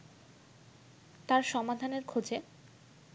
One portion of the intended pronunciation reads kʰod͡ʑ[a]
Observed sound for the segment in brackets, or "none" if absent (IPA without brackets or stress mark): e